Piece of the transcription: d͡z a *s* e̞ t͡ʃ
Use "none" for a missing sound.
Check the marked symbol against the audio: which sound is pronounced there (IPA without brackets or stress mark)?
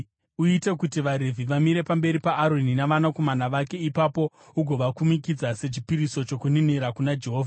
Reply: s